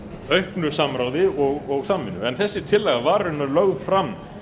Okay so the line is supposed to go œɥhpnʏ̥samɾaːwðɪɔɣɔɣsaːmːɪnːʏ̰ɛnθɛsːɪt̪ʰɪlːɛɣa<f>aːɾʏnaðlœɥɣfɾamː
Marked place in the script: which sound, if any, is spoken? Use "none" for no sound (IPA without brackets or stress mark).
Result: v